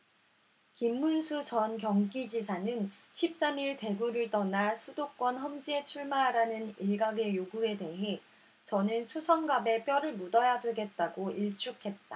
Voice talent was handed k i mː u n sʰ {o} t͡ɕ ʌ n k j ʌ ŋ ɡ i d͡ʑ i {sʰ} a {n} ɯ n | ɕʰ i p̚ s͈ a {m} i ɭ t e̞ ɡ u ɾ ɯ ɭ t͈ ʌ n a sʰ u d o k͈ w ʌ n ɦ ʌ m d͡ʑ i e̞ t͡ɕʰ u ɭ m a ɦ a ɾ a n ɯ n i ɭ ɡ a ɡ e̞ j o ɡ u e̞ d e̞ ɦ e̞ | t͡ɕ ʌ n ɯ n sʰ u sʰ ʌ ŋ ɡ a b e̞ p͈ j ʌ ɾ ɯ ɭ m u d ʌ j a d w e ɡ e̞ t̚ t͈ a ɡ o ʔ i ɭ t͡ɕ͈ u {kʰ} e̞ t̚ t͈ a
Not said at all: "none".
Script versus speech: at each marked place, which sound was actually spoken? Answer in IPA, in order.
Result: u, sʰ, n, m, kʰ

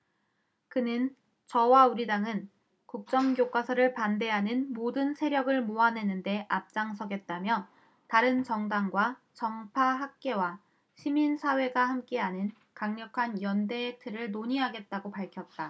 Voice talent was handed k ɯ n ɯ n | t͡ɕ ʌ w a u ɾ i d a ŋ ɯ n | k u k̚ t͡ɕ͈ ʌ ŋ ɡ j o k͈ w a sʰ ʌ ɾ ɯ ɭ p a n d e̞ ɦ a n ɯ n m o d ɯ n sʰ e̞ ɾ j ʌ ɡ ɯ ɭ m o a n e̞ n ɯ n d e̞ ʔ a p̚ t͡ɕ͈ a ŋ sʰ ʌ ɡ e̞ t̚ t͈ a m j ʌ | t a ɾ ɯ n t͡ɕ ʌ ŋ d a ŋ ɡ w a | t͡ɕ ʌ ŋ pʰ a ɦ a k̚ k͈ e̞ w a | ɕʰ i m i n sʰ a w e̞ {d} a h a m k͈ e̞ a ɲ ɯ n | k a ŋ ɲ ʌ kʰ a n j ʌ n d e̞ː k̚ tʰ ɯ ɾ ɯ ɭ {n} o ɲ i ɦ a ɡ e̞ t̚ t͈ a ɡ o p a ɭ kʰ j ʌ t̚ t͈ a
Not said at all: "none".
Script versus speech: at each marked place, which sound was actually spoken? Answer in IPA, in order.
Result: ɡ, n

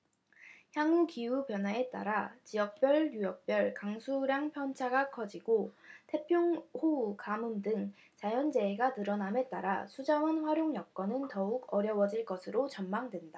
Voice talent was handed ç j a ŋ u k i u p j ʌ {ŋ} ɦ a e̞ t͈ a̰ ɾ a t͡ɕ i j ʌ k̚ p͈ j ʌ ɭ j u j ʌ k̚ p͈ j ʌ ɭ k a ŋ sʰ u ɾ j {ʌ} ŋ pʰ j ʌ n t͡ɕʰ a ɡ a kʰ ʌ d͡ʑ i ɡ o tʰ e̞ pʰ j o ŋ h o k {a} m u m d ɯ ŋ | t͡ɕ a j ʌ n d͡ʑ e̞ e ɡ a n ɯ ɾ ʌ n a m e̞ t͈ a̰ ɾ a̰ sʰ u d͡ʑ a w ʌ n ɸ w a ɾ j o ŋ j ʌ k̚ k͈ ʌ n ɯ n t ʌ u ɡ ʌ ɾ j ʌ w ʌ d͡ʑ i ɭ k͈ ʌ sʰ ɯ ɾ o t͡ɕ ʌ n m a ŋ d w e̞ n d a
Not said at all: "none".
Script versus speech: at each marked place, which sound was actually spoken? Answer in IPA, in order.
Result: n, a, a

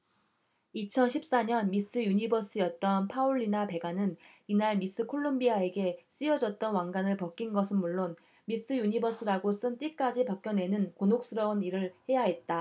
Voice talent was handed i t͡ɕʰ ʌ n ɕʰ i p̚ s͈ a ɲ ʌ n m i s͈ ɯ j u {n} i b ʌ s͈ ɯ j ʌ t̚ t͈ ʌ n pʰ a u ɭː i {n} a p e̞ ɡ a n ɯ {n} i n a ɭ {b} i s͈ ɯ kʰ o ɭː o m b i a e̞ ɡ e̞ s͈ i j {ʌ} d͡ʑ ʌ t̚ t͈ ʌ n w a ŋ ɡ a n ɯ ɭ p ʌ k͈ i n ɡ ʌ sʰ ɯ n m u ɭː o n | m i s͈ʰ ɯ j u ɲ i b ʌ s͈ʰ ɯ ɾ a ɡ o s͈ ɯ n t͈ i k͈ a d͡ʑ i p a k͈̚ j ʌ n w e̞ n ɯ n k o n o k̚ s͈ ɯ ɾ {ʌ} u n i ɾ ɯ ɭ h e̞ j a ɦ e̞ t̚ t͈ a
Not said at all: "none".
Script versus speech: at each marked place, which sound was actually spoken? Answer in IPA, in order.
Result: ɲ, n, n, m, ʌ, ʌ

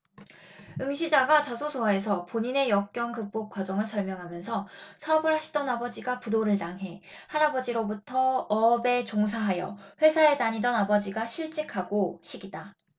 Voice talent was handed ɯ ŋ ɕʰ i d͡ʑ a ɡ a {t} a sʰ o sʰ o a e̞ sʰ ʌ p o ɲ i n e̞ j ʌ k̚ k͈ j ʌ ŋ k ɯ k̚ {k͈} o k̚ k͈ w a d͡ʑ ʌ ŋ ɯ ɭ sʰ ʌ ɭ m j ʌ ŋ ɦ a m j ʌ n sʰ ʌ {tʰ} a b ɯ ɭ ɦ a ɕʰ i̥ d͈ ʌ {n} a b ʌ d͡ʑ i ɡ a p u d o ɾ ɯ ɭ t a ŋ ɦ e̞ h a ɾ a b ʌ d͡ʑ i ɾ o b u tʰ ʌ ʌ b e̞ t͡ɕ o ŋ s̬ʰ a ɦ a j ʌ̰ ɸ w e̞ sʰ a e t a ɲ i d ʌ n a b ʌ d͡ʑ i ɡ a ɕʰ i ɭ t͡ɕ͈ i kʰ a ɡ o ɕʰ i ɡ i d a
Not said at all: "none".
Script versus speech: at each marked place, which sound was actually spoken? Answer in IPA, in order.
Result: t͡ɕ, p͈, sʰ, n

